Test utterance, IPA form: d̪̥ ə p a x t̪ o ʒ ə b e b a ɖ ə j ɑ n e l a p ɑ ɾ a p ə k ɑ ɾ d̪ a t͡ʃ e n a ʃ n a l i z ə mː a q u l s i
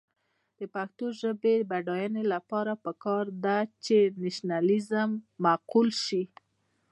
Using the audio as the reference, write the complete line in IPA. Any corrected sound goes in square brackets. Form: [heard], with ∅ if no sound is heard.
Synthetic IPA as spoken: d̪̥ ə p a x t̪ o ʒ ə b e b a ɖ [ɑ] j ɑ n e l a p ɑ ɾ a p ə k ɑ ɾ d̪ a t͡ʃ e n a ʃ n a l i z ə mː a q u l [ʃ] i